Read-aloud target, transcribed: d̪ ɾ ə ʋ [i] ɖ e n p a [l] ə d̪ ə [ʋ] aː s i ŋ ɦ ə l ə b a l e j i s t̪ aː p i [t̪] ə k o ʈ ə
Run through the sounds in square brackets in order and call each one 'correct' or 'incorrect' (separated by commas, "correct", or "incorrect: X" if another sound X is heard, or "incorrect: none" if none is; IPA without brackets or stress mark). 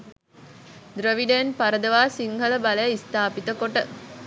correct, incorrect: ɾ, correct, correct